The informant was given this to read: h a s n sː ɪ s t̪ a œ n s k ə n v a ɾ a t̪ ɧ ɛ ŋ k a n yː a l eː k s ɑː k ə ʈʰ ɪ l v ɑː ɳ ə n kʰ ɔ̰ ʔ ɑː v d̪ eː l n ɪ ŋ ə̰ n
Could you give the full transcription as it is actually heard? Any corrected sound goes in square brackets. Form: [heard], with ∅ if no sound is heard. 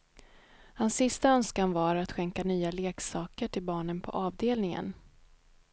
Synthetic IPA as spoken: h a [∅] n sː ɪ s t̪ a œ n s k [a] n v a ɾ a t̪ ɧ ɛ ŋ k a n yː a l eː k s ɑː k ə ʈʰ ɪ l [b] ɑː ɳ ə n [pʰ] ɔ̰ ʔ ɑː v d̪ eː l n ɪ ŋ ə̰ n